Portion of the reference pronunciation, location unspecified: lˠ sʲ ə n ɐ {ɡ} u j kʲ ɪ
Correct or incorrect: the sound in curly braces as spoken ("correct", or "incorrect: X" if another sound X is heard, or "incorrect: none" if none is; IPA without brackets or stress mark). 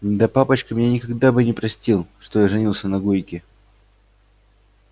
correct